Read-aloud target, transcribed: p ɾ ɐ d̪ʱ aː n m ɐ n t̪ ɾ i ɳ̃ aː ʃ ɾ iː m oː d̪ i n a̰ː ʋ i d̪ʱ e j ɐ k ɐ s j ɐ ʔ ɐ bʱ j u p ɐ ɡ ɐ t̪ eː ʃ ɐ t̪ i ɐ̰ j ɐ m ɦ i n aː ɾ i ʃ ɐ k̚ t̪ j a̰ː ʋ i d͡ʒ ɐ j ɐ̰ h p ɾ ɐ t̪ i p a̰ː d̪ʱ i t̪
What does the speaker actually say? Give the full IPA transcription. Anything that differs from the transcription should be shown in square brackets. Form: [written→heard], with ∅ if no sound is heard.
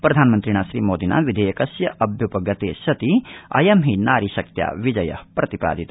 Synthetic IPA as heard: p ɾ ɐ d̪ʱ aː n m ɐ n t̪ ɾ i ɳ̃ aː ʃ ɾ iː m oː d̪ i n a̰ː ʋ i d̪ʱ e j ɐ k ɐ s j ɐ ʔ ɐ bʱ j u p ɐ ɡ ɐ t̪ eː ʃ ɐ t̪ i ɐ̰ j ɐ m ɦ i n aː ɾ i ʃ ɐ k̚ t̪ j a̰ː ʋ i d͡ʒ ɐ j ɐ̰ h p ɾ ɐ t̪ i p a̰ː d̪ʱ i t̪